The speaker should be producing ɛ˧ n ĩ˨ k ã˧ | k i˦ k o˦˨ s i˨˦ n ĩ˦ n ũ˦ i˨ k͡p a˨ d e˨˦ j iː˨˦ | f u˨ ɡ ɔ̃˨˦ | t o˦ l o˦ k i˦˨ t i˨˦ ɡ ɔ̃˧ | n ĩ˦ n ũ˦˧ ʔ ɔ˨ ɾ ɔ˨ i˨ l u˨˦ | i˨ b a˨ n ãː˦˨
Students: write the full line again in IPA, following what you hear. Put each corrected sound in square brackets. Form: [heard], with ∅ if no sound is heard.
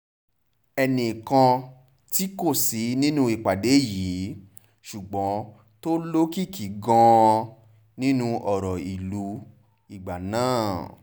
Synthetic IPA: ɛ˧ n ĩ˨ k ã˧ | [t] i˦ k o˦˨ s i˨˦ n ĩ˦ n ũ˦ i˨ k͡p a˨ d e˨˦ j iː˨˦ | [ʃ] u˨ [ɡ͡b] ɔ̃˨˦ | t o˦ l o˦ k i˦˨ [k] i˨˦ ɡ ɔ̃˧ | n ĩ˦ n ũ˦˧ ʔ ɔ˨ ɾ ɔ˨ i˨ l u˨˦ | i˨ [ɡ͡b] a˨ n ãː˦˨